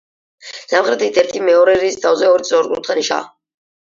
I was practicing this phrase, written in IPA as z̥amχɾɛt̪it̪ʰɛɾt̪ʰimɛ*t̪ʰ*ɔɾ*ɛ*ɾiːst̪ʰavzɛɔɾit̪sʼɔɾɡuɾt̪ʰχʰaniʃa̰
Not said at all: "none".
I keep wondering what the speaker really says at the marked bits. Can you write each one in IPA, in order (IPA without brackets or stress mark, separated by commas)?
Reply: none, ɛ